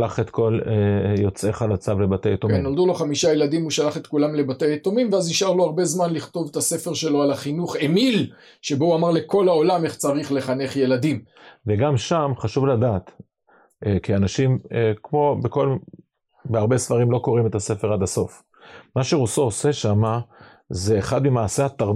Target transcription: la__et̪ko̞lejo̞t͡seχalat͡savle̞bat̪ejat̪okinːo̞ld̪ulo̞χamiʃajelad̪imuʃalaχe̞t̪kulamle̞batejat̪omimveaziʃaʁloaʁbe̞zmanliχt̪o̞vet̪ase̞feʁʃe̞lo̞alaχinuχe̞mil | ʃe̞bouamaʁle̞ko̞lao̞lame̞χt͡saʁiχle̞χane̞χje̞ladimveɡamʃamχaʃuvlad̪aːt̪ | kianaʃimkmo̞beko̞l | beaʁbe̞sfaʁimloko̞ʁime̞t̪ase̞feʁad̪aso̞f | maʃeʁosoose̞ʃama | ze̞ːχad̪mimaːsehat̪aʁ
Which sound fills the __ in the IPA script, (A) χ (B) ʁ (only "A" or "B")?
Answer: A